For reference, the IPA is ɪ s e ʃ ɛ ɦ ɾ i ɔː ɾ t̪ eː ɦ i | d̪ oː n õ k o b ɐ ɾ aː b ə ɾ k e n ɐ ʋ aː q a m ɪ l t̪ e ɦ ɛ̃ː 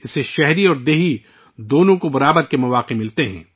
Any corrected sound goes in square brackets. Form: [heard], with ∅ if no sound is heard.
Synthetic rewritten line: ɪ s e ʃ ɛ ɦ ɾ i ɔː ɾ [d̪] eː ɦ i | d̪ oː n õ k o b ɐ ɾ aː b ə ɾ k e [m] ɐ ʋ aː q [e] m ɪ l t̪ e ɦ ɛ̃ː